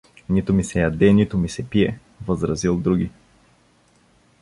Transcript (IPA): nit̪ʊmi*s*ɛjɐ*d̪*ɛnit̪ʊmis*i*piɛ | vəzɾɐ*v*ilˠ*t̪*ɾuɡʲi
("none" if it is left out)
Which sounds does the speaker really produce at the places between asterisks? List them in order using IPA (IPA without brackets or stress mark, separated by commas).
s, d̪, ɛ, z, d̪